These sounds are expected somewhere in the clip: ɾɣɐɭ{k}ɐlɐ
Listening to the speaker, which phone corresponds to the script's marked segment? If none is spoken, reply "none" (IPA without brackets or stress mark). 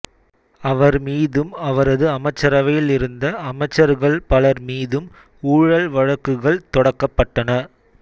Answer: p